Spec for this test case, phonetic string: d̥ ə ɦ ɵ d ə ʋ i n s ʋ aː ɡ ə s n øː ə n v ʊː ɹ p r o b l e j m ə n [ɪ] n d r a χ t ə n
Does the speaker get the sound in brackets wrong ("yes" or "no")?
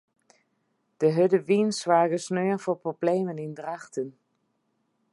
no